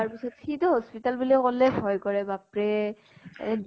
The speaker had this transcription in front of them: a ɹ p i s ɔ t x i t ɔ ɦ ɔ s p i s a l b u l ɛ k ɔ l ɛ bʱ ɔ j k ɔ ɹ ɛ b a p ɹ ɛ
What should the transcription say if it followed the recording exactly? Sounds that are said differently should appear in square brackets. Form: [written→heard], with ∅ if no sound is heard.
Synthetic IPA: a ɹ p i s ɔ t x i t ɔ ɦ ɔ s p i [s→t] a l b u l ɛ k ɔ l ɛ bʱ ɔ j k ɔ ɹ ɛ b a p ɹ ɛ